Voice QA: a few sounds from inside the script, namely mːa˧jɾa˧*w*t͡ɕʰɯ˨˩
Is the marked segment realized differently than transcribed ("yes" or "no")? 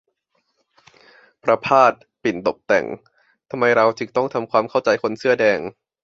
no